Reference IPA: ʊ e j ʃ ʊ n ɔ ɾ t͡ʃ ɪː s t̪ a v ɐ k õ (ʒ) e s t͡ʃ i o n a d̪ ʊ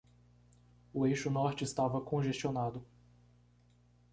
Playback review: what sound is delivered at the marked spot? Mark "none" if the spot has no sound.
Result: ʒ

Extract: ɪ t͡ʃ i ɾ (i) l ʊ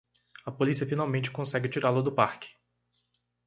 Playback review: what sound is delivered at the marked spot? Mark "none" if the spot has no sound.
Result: a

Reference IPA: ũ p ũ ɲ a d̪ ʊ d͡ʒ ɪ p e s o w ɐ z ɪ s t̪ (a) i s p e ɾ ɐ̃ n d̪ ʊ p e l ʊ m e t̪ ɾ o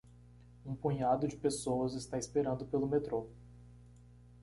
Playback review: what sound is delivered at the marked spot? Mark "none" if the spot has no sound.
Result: a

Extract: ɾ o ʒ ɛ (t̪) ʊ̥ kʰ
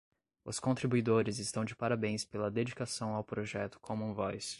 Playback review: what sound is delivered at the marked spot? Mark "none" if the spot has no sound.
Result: t̪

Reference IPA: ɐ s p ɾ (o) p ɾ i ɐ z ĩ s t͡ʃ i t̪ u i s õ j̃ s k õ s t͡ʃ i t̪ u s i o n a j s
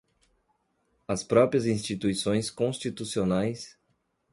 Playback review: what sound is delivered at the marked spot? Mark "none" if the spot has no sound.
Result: ɔ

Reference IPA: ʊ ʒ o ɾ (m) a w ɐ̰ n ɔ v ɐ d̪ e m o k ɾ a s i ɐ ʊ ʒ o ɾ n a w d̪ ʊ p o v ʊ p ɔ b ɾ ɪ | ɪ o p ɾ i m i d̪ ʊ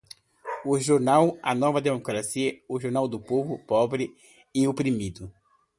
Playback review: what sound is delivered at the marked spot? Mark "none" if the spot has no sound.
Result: n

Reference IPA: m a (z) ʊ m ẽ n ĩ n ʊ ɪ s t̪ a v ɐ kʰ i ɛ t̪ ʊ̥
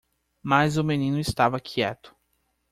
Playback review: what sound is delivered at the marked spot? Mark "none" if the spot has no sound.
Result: z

